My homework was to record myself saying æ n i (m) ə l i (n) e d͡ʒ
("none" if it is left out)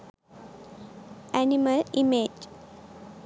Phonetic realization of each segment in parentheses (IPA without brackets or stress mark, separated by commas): m, m